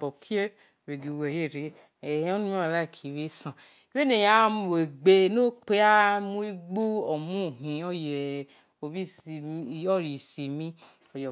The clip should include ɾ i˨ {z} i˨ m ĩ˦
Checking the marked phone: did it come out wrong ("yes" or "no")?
yes